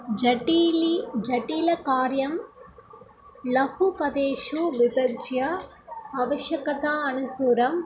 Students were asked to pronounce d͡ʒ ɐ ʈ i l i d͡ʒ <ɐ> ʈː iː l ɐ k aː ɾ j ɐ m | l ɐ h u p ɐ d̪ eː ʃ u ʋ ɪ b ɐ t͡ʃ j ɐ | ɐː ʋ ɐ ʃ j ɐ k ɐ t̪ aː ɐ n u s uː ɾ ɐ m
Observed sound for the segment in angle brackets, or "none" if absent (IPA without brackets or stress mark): ɐ